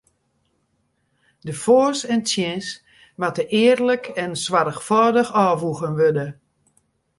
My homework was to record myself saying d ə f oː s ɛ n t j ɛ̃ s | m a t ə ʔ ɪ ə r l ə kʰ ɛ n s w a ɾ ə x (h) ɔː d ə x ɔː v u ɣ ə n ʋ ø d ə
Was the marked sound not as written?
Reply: yes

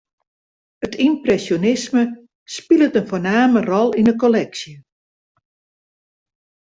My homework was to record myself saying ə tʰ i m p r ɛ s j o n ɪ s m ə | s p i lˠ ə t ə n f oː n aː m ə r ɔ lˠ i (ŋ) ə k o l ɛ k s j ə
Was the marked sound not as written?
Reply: yes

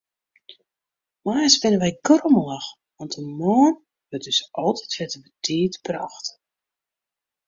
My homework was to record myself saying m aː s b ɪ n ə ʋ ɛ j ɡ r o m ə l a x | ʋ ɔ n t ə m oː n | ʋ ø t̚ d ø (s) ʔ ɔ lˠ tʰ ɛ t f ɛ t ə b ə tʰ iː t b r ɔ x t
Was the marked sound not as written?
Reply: no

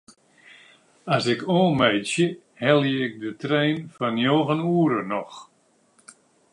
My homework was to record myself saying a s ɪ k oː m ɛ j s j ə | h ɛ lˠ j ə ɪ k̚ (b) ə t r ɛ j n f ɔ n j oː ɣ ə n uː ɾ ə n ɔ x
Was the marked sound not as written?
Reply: yes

